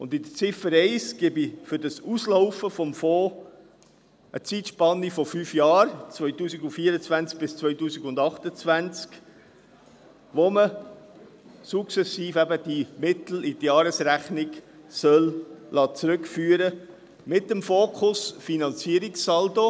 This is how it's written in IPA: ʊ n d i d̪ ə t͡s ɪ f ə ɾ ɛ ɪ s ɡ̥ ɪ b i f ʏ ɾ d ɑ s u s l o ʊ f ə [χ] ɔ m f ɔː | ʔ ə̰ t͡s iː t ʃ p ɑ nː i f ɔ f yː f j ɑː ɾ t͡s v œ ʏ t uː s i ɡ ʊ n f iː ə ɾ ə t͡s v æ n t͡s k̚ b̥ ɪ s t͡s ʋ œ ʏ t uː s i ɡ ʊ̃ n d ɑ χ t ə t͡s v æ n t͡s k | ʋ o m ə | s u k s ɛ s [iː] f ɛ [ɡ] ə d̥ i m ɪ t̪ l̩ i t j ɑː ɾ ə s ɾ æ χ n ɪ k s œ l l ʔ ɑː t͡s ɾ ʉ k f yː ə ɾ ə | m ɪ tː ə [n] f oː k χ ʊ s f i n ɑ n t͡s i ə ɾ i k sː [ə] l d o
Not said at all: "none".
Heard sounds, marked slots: f, iː, b, m, ɑ

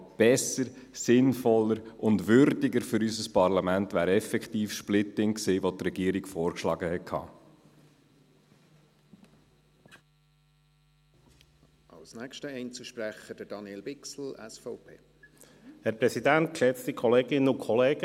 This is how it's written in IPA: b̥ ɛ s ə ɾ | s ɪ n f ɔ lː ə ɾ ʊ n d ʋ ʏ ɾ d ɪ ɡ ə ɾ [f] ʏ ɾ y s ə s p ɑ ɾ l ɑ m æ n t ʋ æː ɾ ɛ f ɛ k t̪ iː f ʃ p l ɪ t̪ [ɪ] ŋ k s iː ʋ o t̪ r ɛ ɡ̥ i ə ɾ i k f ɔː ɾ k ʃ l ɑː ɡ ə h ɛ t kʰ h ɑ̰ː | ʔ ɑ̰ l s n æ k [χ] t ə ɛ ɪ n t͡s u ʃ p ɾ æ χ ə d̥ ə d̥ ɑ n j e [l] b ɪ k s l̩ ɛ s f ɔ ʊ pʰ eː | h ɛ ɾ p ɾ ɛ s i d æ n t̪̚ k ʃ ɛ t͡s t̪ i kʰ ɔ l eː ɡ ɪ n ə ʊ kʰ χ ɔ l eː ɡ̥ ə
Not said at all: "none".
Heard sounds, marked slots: f, ɪ, ʃ, l

